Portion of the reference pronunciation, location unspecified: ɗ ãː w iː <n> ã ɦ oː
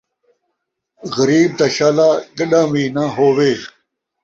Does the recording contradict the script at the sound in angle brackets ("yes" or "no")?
no